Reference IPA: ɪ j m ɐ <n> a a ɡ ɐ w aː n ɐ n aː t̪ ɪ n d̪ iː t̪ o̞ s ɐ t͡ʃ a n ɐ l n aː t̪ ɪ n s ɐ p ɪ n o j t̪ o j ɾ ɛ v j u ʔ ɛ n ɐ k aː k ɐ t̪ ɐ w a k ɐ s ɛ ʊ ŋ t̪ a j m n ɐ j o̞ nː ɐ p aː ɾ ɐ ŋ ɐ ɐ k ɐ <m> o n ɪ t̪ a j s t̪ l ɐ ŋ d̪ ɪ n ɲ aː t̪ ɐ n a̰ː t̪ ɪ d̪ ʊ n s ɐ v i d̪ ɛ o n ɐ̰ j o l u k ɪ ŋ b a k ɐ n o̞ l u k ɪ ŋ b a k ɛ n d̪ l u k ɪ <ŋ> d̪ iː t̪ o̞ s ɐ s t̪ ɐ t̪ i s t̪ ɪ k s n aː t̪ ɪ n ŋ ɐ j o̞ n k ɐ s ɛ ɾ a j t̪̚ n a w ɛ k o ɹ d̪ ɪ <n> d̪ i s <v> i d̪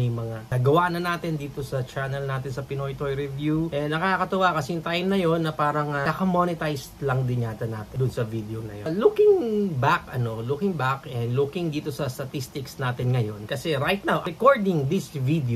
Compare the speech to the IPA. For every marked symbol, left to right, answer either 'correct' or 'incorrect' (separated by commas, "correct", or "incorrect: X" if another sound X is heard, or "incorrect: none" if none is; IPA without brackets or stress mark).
incorrect: ŋ, correct, correct, incorrect: ŋ, correct